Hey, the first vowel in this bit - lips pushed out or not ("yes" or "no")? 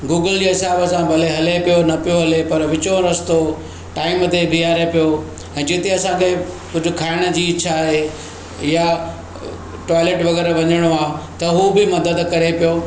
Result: yes